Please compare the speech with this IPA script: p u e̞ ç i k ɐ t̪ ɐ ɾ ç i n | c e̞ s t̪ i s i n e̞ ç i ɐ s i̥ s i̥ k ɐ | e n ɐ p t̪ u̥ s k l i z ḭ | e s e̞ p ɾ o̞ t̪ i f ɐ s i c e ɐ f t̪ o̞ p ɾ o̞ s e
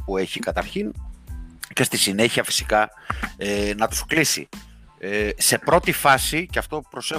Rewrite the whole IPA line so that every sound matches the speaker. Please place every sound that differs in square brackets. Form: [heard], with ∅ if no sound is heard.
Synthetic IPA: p u e̞ ç i k ɐ t̪ ɐ ɾ ç i n | c e̞ s t̪ i s i n e̞ ç i ɐ [f] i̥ s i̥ k ɐ | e n ɐ [∅] t̪ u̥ s k l i [s] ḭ | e s e̞ p ɾ o̞ t̪ i f ɐ s i c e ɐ f t̪ o̞ p ɾ o̞ s e